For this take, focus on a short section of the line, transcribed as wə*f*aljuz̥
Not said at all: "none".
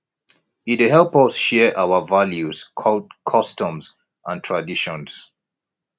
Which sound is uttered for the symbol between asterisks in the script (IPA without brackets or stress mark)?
v